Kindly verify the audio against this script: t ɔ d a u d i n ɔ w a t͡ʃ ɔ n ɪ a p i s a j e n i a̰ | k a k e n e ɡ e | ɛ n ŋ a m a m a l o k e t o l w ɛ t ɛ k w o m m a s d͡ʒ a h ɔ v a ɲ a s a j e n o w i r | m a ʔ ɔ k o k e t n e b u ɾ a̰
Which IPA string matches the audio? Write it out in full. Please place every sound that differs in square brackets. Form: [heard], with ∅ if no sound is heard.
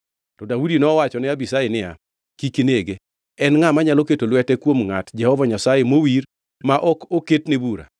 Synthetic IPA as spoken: t ɔ d a u d i n ɔ w a t͡ʃ ɔ n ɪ a [b] i s a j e n [ɪ] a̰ | k [i] k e n e ɡ e | ɛ n ŋ a m a [ɲ] a l o k e t o l w ɛ t ɛ k w o m [ŋ] a [t] d͡ʒ [ɛ] h ɔ v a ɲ a s a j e [m] o w i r | m a ʔ ɔ k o k e t n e b u ɾ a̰